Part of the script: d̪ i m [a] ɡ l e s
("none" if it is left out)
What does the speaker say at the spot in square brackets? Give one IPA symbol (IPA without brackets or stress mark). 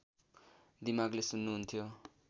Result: a